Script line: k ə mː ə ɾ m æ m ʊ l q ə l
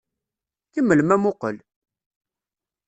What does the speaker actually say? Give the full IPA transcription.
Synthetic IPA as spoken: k ə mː ə l m æ m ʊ q ə l